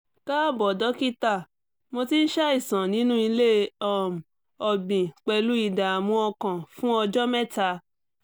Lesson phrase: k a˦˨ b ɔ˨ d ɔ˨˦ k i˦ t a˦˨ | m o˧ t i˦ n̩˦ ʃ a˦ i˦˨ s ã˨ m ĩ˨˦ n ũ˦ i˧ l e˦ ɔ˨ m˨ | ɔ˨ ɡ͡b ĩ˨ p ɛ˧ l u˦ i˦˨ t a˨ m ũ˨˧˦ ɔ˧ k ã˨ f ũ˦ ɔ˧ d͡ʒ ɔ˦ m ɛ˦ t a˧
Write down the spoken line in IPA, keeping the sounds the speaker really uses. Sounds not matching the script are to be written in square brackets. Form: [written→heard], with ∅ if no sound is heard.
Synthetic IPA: k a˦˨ b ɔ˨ d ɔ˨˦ k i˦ t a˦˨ | m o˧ t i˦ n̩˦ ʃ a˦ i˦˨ s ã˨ [m→n] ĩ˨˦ n ũ˦ i˧ l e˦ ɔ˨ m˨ | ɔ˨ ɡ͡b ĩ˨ [p→k͡p] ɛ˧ l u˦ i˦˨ [t→d] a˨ m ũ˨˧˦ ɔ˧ k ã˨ f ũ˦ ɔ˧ d͡ʒ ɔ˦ m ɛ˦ t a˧